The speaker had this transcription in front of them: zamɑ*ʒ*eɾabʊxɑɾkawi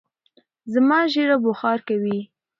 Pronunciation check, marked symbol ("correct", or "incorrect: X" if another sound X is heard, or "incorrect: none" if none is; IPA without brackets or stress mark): correct